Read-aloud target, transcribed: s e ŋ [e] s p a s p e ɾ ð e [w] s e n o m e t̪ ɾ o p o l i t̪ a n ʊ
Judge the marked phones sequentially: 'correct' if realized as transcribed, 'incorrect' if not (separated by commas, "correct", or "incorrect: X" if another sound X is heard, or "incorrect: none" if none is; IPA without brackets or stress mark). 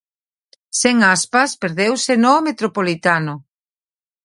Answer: incorrect: a, correct